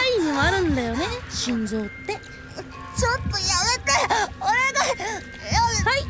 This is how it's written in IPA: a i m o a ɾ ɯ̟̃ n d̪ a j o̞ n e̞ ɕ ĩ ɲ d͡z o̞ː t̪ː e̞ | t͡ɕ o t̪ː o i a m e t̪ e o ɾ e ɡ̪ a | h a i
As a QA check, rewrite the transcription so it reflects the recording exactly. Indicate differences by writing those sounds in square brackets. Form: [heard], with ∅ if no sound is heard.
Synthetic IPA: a i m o a ɾ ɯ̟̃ n d̪ a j o̞ n e̞ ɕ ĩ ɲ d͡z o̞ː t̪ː e̞ | t͡ɕ o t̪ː o [j] a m e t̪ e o ɾ e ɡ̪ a | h a i